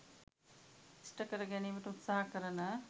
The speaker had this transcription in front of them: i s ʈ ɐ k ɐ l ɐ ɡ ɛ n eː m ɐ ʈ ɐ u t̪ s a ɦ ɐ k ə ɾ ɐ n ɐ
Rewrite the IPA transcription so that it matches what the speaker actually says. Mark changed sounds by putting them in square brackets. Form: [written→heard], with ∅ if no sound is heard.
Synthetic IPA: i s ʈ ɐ k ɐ [l→ɾ] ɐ ɡ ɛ n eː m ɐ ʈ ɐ u t̪ s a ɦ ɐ k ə ɾ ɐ n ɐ